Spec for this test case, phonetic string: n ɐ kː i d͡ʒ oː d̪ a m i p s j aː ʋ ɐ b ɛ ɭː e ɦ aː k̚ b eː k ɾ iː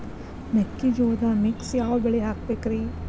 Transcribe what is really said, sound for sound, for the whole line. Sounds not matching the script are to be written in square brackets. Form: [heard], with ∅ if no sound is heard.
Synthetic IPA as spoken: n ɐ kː i d͡ʒ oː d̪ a m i [k] s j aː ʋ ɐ b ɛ [ɭ] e ɦ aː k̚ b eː k ɾ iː